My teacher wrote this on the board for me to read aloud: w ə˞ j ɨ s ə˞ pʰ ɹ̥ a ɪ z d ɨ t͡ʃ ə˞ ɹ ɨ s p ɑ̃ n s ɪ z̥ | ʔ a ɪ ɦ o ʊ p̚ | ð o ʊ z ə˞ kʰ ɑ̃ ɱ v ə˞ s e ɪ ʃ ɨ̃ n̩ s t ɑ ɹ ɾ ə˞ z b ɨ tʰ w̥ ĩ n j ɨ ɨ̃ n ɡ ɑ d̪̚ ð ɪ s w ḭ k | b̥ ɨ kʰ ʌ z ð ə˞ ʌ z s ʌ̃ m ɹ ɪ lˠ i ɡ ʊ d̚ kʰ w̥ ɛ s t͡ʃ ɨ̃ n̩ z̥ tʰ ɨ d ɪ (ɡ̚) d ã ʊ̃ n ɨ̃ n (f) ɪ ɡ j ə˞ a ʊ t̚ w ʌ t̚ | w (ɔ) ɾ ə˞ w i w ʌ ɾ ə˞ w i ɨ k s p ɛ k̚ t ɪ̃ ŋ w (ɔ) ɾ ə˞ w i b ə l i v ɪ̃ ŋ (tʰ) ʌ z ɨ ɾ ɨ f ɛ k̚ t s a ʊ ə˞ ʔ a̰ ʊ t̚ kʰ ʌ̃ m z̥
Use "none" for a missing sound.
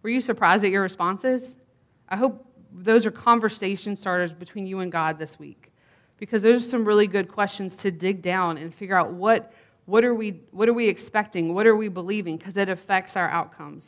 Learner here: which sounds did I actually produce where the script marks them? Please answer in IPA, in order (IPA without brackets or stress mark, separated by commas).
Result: ɡ̚, f, ʌ, ʌ, kʰ